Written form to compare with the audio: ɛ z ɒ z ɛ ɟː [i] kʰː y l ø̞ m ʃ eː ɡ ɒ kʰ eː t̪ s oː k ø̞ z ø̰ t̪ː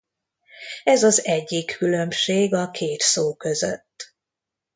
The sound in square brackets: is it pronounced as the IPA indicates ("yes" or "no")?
yes